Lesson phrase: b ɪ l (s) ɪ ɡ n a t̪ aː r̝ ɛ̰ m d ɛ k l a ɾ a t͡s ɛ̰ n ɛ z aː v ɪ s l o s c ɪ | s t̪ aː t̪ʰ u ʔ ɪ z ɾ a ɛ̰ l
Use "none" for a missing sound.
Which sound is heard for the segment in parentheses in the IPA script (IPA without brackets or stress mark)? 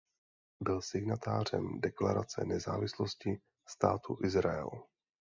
s